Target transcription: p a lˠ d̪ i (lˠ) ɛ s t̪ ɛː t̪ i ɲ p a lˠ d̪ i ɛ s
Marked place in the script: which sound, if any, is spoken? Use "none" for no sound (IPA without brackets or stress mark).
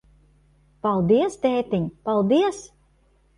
none